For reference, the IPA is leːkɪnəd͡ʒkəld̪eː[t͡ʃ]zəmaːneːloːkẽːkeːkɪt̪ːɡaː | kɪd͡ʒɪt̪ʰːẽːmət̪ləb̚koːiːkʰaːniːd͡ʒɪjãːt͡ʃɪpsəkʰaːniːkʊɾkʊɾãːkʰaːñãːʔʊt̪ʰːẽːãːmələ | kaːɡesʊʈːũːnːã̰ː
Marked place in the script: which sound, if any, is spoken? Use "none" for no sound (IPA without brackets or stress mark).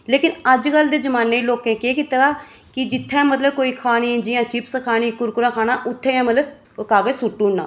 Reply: none